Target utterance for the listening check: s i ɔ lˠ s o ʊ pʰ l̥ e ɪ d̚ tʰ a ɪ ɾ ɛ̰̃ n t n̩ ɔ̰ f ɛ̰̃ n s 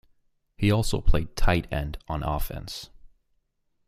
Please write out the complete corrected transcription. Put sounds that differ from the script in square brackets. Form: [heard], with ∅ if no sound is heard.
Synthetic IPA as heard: [h] i ɔ lˠ s o ʊ pʰ l̥ e ɪ d̚ tʰ a ɪ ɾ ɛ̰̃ n [d] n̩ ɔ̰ f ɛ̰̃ n s